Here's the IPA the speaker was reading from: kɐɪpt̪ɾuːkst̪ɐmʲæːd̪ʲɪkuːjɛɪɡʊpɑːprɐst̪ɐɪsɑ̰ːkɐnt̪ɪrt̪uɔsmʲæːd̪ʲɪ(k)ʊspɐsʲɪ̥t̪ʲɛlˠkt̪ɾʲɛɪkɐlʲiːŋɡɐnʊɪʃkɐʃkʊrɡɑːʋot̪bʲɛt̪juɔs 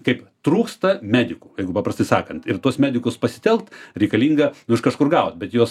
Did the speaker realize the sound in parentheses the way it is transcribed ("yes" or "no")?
yes